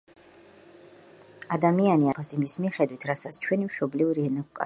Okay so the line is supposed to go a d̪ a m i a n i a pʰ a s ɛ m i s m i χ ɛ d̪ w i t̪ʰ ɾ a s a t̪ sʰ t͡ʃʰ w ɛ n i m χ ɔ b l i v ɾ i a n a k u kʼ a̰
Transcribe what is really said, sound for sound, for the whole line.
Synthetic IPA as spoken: a d̪ a m i a n i a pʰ a s i m i s m i χ ɛ d̪ w i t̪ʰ ɾ a s a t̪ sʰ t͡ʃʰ w ɛ n i m ʃ ɔ b l i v ɾ i ɛ n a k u kʼ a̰